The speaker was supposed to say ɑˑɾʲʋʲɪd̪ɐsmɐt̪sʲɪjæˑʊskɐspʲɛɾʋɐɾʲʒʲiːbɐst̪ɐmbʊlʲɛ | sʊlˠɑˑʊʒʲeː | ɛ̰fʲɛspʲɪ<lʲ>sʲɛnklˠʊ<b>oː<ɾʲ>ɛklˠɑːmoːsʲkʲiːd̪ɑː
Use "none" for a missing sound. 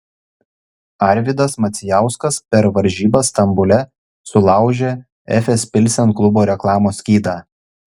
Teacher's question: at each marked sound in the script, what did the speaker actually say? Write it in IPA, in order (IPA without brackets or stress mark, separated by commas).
lʲ, b, ɾʲ